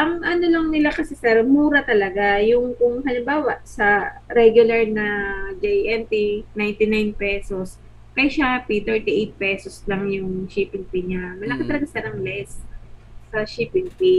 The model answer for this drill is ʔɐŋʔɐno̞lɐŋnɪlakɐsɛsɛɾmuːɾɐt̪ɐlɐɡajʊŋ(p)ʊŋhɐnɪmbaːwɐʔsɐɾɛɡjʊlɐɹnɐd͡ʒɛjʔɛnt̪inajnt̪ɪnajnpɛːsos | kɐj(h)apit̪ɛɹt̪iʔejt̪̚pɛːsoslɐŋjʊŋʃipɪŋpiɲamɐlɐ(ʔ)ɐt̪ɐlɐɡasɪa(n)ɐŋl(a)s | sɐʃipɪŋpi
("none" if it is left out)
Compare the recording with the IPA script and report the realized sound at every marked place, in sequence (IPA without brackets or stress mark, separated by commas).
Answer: k, ʃ, k, n, ɛ